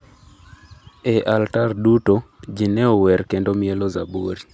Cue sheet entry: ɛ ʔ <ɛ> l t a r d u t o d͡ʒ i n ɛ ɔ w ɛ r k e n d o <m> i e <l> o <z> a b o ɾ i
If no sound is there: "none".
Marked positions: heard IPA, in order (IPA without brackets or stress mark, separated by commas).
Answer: a, m, l, z